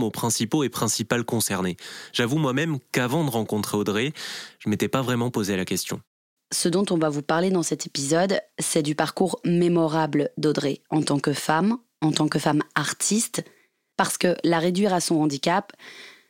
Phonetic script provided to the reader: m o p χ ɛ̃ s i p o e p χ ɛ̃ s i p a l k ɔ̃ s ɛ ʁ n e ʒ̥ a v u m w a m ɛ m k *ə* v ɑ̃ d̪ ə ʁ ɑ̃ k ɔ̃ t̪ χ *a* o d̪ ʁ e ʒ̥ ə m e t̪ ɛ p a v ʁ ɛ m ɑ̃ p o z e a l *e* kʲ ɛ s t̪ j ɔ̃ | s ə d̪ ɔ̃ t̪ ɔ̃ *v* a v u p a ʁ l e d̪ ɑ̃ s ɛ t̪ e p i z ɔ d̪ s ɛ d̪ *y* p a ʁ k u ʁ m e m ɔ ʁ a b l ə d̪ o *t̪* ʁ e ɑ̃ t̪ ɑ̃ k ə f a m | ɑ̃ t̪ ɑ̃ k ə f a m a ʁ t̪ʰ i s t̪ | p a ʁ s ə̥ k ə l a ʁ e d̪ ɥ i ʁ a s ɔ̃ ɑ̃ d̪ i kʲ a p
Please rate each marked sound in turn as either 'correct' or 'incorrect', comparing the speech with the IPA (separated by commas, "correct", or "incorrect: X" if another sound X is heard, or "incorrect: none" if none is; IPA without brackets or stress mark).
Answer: incorrect: a, incorrect: e, incorrect: a, correct, correct, incorrect: d̪